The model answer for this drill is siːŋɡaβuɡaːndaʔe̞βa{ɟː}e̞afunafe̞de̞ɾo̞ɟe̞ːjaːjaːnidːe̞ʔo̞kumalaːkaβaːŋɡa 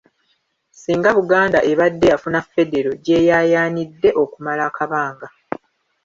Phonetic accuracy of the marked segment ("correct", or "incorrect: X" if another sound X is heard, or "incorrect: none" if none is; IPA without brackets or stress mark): incorrect: dː